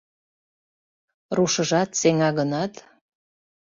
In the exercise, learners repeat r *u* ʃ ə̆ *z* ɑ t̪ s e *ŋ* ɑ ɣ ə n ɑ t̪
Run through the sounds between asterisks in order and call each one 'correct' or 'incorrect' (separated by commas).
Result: correct, incorrect, correct